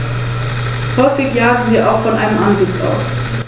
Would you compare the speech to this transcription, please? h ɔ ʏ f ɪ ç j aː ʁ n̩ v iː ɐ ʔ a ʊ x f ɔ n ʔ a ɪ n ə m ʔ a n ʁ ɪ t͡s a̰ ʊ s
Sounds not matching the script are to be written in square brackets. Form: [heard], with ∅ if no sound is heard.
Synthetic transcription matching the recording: h ɔ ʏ f ɪ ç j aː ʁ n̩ v iː ɐ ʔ a ʊ x f ɔ n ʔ a ɪ n ə m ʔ a n [z] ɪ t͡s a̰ ʊ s